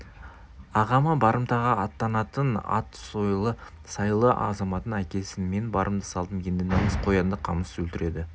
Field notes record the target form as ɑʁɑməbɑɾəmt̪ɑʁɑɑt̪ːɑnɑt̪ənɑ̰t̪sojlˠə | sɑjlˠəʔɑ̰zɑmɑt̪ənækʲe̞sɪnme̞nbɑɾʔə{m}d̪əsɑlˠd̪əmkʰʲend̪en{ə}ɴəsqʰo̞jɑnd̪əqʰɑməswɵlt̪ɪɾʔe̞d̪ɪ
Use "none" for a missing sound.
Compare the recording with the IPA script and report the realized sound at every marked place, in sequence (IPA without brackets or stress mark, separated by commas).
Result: m, ɑ